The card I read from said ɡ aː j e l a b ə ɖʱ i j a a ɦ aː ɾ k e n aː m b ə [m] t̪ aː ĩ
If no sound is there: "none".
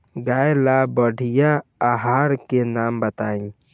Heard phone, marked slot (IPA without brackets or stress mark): none